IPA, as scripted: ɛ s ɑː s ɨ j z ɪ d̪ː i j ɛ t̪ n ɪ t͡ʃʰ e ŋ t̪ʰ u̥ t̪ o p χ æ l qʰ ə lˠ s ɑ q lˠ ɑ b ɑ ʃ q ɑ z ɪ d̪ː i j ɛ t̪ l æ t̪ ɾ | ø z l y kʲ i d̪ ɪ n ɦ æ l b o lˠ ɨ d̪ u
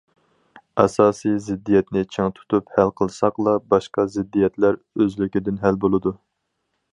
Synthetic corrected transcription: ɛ s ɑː s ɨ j z ɪ d̪ː i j ɛ t̪ n ɪ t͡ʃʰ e ŋ t̪ʰ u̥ t̪ u p h æ l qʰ ə lˠ s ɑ q lˠ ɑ b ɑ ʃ q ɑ z ɪ d̪ː i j ɛ t̪ l æ ɾ | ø z l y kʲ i d̪ ɪ n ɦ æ l b o lˠ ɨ d̪ u